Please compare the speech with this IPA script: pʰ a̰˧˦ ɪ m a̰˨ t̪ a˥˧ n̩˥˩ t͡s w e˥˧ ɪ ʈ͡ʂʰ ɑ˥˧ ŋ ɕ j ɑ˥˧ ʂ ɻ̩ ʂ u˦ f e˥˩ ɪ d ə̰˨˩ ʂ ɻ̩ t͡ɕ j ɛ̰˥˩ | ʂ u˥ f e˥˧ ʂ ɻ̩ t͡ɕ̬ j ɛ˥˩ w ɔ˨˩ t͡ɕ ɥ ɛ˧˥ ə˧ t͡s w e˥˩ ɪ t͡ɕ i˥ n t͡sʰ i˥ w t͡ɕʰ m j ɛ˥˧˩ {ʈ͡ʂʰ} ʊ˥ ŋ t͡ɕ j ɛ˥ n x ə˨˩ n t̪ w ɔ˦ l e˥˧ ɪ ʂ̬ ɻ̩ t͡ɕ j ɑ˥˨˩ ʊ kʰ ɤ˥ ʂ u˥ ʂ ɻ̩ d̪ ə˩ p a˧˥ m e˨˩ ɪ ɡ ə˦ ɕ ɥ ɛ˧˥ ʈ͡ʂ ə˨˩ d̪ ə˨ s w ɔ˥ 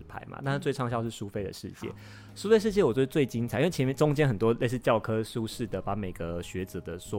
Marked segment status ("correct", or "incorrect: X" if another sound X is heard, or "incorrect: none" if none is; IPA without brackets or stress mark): incorrect: ʈ͡ʂ